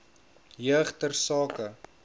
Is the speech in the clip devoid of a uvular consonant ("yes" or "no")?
no